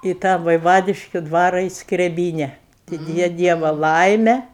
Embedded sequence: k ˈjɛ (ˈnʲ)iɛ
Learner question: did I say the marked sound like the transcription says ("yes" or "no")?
no